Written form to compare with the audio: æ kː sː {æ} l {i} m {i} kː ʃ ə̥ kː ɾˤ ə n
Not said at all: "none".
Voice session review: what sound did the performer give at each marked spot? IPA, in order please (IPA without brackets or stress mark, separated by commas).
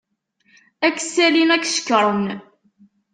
æ, i, æ